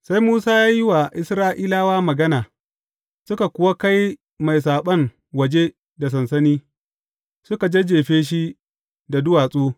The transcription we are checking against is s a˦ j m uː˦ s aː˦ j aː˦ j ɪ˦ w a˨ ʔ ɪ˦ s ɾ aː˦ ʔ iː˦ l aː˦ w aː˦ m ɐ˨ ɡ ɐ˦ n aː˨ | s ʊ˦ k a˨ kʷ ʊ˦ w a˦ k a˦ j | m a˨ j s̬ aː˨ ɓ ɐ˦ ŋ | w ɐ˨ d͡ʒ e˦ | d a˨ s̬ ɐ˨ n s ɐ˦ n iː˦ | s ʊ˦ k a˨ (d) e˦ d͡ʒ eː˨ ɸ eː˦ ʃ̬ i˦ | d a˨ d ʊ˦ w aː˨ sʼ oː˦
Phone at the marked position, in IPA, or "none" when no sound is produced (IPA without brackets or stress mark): d͡ʒ